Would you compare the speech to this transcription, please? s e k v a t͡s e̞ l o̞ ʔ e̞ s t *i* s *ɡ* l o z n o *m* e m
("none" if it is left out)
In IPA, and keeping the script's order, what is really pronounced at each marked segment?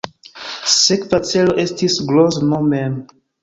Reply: i, ɡ, m

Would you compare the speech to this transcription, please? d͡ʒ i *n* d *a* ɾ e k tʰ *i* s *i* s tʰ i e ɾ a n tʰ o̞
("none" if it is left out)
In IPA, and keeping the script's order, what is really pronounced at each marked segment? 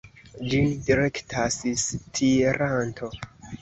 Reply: n, i, a, i

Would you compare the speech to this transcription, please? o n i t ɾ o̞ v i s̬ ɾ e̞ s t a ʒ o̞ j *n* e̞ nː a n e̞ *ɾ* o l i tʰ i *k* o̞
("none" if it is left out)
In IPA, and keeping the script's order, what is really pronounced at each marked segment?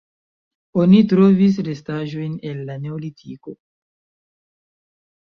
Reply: n, none, k

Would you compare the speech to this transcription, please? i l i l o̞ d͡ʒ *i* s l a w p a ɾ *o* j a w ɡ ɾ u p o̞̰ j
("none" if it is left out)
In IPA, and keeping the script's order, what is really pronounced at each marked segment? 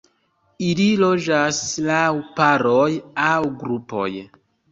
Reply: a, o

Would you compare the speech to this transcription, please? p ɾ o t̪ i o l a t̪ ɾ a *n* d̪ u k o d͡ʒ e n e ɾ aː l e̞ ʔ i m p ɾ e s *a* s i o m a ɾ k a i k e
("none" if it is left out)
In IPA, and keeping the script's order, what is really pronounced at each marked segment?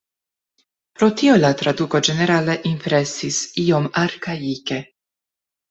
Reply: none, i

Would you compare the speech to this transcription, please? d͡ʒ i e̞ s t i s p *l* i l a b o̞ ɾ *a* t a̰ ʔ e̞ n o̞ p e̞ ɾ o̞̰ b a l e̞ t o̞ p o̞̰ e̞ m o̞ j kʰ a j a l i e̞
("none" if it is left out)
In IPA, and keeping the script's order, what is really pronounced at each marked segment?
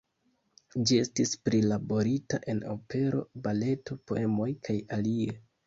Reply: ɾ, i

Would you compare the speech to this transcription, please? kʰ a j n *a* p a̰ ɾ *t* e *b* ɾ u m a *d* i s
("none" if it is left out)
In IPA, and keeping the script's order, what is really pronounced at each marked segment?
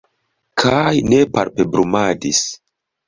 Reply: e, p, b, d

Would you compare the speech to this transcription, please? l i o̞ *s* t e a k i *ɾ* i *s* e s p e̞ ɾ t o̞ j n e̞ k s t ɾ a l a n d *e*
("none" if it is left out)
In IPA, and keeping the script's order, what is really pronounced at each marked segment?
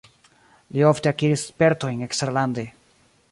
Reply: f, ɾ, s, e

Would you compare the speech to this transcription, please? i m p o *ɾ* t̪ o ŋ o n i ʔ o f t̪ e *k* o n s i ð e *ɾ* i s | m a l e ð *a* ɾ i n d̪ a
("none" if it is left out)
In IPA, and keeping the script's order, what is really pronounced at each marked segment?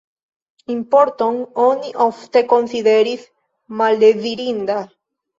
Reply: ɾ, k, ɾ, i

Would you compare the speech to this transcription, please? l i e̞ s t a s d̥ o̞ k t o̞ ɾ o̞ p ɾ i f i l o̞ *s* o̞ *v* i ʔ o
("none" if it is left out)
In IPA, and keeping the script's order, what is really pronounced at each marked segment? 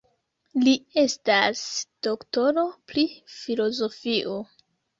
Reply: z, f

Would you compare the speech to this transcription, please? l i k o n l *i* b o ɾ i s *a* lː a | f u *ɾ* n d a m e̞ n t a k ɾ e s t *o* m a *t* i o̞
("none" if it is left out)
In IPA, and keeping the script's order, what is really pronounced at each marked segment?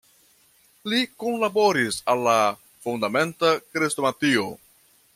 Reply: a, a, none, o, t

